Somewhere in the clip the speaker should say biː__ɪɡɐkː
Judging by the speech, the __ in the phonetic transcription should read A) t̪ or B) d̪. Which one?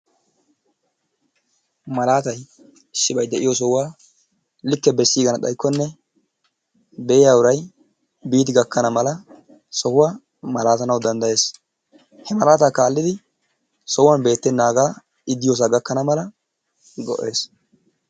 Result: A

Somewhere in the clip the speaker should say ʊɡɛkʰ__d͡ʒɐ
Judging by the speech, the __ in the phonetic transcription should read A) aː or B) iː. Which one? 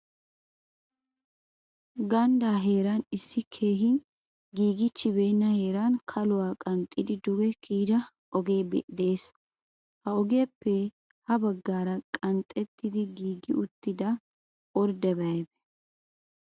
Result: B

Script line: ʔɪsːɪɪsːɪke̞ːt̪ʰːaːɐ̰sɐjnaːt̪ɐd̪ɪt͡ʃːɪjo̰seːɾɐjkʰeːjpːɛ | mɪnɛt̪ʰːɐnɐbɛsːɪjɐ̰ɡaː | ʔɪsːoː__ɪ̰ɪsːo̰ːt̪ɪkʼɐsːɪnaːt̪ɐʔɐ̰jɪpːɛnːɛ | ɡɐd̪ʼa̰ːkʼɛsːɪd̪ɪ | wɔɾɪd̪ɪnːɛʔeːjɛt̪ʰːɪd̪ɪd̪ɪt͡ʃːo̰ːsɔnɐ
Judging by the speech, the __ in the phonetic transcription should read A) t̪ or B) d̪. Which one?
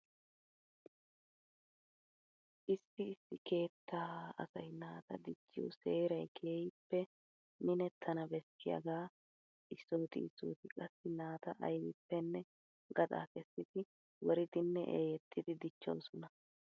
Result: A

